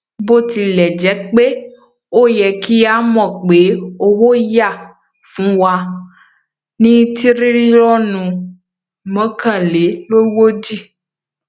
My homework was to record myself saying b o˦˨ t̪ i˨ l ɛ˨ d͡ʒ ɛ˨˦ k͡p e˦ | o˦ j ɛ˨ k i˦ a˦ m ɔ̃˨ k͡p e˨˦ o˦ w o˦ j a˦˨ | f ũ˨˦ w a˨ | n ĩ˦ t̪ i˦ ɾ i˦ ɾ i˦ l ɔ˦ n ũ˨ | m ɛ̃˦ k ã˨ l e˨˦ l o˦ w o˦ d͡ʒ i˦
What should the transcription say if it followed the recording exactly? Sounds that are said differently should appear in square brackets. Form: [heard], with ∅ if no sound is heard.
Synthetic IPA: b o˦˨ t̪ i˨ l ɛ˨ d͡ʒ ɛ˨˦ k͡p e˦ | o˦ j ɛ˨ k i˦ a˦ m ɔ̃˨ k͡p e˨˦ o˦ w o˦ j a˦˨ | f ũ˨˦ w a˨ | n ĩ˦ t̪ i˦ ɾ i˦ ɾ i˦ l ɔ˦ n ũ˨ | m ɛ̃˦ k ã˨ l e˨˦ l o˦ w o˦ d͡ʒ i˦